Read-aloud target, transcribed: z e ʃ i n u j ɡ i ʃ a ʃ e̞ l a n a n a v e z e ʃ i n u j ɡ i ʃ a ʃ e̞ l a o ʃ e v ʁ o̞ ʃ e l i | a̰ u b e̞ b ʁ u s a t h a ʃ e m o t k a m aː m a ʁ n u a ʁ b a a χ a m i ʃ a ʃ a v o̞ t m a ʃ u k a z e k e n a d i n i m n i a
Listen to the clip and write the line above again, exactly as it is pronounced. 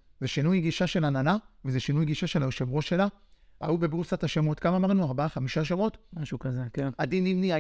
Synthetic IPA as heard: z e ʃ i n u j ɡ i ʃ a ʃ e̞ l a n a n a v e z e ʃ i n u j ɡ i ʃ a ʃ e̞ l a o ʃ e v ʁ o̞ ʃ e l a | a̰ u b e̞ b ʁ u s a t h a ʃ e m o t k a m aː m a ʁ n u a ʁ b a a χ a m i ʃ a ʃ a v o̞ t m a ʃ u k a z e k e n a d i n i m n i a